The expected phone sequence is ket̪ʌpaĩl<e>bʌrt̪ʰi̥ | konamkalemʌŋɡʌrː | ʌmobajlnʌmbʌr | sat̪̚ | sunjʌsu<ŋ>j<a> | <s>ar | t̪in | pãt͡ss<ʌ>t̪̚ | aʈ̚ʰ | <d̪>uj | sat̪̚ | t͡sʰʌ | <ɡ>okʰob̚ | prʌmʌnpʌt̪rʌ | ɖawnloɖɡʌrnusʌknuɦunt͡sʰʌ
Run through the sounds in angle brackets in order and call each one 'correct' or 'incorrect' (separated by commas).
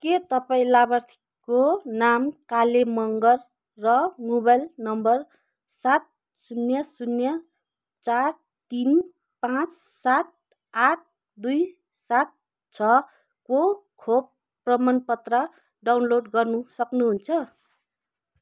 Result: incorrect, incorrect, incorrect, incorrect, incorrect, correct, incorrect